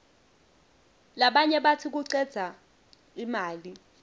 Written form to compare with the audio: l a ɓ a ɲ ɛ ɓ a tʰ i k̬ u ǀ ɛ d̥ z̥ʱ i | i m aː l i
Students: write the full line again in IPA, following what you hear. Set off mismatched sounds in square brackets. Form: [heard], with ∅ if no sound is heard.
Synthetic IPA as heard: l a ɓ a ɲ ɛ ɓ a tʰ i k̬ u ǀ ɛ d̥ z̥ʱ [a] | i m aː l i